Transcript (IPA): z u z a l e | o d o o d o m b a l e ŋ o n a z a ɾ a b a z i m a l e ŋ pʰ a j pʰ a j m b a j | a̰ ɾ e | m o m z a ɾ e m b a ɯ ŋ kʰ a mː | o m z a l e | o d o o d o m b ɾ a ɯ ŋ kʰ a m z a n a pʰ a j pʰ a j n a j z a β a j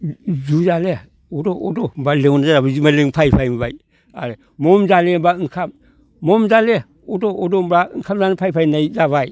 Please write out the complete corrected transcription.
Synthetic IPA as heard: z u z a l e | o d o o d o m b a l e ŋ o n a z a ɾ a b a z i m a l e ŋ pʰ a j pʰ a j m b a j | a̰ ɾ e | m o m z a l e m b a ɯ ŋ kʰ a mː | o m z a l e | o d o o d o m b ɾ a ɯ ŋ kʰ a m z a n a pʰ a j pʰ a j n a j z a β a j

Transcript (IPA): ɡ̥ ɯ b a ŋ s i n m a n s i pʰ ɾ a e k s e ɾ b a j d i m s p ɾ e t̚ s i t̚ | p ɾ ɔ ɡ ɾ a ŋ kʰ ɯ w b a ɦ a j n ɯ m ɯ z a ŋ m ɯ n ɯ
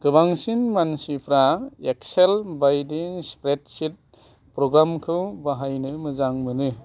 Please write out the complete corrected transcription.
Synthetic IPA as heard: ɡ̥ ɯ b a ŋ s i n m a n s i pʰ ɾ a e k s e l b a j d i ŋ s p ɾ e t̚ s i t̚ | p ɾ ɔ ɡ ɾ a m kʰ ɯ w b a ɦ a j n ɯ m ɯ z a ŋ m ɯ n ɯ

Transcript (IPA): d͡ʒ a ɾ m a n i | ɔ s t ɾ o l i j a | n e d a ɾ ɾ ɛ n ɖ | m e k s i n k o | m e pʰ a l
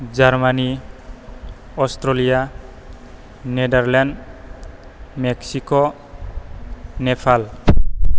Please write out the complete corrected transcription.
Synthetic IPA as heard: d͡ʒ a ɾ m a n i | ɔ s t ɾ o l i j a | n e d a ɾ l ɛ n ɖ | m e k s i k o | n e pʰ a l

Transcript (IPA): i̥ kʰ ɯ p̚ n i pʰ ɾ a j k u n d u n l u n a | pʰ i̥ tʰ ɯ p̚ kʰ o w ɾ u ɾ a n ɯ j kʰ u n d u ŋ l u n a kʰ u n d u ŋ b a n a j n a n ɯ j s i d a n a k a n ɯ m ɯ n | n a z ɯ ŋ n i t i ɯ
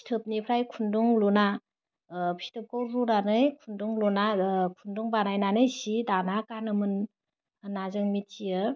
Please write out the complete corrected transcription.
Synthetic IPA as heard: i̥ tʰ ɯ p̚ n i pʰ ɾ a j kʰ u n d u ŋ l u n a | pʰ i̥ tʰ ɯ p̚ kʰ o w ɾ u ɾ a n ɯ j kʰ u n d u ŋ l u n a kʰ u n d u ŋ b a n a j n a n ɯ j s i d a n a k a n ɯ m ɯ n | n a z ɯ ŋ m i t i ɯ

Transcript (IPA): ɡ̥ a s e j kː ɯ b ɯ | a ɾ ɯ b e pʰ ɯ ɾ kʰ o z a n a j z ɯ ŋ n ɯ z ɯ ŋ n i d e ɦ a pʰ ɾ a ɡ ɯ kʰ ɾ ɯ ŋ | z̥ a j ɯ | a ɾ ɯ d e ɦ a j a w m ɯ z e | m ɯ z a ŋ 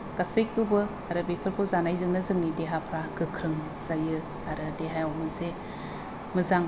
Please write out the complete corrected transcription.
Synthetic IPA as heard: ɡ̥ a s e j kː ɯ b ɯ | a ɾ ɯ b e pʰ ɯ ɾ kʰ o z a n a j z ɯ ŋ n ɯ z ɯ ŋ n i d e ɦ a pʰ ɾ a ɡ ɯ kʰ ɾ ɯ ŋ | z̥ a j ɯ | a ɾ ɯ d e ɦ a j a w m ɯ z e | m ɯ z a ŋ

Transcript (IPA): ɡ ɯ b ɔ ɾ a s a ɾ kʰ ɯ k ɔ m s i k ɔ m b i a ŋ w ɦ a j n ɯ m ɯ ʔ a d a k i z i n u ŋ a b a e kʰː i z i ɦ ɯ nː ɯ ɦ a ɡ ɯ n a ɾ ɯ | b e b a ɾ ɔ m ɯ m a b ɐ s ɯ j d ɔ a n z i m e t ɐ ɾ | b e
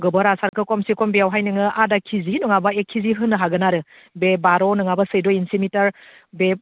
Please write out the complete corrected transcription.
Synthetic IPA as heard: ɡ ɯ b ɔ ɾ a s a ɾ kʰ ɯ k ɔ m s i k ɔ m b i a w ɦ a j n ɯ ŋ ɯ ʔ a d a kʰ i z i n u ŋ a b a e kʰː i z i ɦ ɯ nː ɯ ɦ a ɡ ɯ n a ɾ ɯ | b e b a ɾ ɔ n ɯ ŋ a b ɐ s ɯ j d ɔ i n s i m i t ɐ ɾ | b e

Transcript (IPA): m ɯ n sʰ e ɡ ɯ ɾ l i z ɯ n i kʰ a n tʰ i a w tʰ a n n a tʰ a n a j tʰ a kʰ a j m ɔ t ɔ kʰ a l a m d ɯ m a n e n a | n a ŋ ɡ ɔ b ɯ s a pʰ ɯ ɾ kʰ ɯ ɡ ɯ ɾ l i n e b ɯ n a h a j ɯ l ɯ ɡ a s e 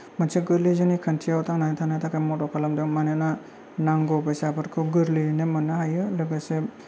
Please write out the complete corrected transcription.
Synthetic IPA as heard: m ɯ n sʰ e ɡ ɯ ɾ l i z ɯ n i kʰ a n tʰ i a w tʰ a ŋ n a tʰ a n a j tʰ a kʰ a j m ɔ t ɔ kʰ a l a m d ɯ m a n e n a | n a ŋ ɡ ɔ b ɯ s a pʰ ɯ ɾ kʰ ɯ ɡ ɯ ɾ l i n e m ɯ n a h a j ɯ l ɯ ɡ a s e

